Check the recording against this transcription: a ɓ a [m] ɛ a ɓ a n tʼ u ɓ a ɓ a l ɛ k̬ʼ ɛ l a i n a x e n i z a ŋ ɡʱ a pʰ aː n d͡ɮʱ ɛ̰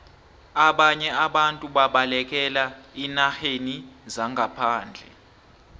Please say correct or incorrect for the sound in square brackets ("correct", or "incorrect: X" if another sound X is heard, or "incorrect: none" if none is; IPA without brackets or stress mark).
incorrect: ɲ